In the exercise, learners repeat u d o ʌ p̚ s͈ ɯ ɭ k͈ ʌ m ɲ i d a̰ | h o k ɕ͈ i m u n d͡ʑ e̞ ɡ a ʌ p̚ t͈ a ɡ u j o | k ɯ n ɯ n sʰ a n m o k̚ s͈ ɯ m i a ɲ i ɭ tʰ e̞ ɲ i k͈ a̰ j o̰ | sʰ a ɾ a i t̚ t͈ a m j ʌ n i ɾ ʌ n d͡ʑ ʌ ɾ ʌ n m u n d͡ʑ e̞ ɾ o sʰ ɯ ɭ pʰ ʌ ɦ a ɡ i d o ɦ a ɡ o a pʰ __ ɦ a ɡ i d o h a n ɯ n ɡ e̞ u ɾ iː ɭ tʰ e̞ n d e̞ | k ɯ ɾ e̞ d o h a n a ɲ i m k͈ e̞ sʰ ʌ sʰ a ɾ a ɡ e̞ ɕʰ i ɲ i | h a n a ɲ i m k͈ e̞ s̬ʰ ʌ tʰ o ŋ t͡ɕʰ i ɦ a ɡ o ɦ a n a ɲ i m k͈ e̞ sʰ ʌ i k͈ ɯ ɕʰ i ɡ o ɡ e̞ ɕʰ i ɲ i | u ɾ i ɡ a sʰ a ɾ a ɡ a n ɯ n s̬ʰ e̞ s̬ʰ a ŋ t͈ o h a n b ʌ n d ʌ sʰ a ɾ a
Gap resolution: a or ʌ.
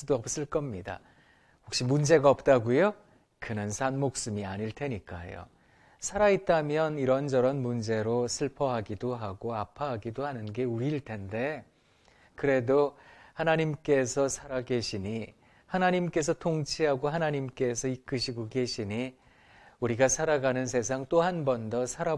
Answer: a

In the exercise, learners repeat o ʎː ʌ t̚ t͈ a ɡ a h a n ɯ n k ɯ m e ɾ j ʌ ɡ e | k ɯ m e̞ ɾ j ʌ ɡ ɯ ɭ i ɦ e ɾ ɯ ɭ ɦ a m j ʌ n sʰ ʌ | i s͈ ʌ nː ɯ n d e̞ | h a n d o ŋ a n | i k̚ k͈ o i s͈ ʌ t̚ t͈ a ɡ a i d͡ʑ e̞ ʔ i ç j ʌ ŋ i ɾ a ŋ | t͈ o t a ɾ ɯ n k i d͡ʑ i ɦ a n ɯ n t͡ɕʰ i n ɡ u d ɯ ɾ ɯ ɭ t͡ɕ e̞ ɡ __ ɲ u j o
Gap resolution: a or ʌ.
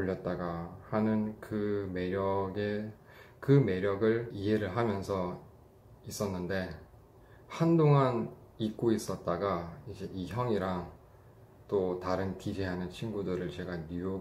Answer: a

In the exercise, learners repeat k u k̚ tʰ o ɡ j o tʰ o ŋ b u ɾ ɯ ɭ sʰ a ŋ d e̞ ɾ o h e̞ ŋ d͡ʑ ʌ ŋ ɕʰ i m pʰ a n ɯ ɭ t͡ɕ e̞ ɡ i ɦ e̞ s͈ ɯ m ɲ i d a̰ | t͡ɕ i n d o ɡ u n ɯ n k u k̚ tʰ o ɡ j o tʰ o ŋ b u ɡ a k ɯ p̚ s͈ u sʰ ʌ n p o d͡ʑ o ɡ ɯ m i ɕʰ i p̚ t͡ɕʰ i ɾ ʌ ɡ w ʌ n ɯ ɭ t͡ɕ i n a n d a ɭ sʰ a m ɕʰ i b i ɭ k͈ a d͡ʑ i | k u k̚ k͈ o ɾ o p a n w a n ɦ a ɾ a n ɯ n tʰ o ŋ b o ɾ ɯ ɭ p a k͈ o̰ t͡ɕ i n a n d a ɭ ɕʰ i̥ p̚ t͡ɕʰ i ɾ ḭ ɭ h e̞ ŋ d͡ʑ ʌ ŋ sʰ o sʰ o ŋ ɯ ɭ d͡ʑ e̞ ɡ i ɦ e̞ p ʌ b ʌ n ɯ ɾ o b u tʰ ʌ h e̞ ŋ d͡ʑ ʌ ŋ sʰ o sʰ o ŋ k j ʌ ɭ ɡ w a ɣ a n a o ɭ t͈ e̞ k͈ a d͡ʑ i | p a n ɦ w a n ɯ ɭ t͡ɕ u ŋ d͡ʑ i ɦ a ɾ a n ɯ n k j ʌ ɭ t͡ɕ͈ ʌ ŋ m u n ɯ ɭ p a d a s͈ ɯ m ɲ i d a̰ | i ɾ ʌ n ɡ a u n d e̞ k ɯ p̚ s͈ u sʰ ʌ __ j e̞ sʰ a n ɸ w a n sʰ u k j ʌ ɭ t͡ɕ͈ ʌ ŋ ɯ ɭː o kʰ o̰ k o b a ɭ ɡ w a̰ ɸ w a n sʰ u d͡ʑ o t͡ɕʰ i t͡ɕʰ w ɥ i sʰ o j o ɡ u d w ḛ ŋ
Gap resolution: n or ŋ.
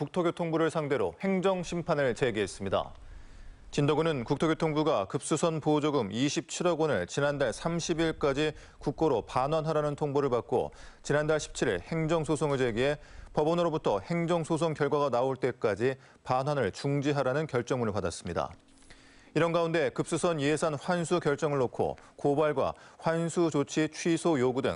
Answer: n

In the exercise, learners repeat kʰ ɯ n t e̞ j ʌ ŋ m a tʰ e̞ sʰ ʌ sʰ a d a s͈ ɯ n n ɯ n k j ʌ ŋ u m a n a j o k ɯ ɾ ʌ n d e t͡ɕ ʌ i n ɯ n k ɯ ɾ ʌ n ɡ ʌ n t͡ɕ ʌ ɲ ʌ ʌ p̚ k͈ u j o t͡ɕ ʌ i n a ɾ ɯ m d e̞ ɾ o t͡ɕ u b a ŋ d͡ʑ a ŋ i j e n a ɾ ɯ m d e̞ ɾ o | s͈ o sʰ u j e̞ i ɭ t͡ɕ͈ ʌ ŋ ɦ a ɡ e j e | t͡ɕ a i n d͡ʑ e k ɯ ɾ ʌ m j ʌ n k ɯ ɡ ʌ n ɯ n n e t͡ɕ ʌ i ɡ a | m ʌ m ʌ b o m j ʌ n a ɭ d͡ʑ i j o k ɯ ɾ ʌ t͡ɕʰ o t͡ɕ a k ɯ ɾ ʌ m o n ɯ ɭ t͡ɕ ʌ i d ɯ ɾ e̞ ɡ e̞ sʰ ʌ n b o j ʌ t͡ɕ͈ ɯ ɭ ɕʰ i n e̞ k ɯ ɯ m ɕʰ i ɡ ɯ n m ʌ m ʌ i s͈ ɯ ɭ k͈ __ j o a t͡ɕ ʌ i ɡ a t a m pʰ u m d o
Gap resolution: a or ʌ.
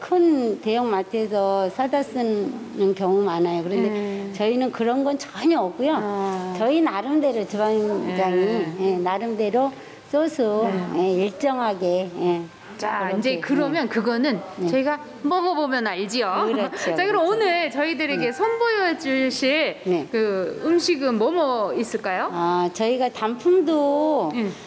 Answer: a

